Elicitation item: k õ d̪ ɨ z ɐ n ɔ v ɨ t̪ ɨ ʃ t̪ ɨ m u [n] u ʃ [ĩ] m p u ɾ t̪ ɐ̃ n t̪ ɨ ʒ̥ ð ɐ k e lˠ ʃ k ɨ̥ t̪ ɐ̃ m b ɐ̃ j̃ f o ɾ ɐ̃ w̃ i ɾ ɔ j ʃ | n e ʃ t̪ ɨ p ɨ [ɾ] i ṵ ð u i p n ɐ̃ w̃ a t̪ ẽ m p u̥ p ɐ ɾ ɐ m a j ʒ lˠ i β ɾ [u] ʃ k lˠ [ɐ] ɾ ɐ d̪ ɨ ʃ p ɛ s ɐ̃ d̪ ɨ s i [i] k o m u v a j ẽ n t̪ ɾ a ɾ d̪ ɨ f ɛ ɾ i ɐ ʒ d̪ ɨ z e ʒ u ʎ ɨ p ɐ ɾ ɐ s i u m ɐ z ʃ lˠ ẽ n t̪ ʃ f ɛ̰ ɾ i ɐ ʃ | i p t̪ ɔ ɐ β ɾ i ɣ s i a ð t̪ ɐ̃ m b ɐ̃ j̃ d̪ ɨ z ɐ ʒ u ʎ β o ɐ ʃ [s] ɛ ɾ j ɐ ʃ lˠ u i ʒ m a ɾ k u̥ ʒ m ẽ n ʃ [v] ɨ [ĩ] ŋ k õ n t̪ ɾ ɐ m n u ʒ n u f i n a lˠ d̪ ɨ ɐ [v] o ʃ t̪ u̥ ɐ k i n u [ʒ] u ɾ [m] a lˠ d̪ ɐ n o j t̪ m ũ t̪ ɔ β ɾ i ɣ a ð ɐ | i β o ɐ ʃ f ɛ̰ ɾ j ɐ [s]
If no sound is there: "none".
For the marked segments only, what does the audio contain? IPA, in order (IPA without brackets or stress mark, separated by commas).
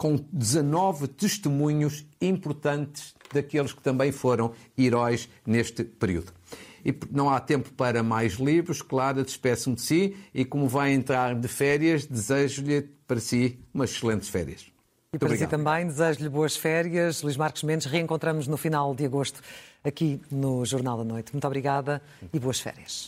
ɲ, ĩ, ɾ, u, a, i, f, ʁ, ẽ, ɣ, ʒ, n, ʃ